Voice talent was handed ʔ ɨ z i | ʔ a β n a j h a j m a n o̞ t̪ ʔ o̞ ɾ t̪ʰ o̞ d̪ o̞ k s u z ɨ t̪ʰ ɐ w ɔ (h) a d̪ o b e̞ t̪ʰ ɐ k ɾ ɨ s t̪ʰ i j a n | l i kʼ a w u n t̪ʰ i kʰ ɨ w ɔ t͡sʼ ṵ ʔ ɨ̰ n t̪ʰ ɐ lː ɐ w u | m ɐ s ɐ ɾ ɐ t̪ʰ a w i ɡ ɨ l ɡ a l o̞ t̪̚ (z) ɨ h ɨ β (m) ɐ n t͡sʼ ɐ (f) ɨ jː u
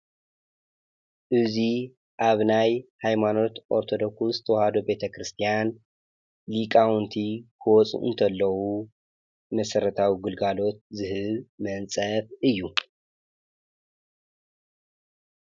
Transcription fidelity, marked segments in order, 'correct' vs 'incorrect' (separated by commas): correct, correct, correct, correct